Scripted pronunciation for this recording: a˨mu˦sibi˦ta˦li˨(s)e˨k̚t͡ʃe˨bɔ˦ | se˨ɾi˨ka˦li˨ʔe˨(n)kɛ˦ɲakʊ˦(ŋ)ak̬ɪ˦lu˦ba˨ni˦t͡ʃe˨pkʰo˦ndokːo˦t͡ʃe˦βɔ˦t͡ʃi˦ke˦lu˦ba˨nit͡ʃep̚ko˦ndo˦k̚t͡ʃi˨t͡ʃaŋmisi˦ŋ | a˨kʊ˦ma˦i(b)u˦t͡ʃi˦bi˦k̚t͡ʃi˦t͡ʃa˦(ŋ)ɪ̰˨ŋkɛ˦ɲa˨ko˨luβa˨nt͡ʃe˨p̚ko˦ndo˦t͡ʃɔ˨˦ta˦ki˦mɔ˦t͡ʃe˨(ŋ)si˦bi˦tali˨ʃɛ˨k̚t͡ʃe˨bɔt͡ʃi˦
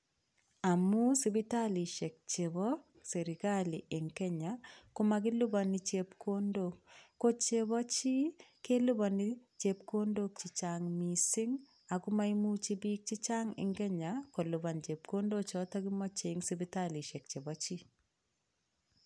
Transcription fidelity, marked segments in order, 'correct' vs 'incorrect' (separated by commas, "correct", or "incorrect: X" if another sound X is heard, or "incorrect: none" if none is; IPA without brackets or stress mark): incorrect: ʃ, incorrect: ŋ, incorrect: m, incorrect: m, correct, correct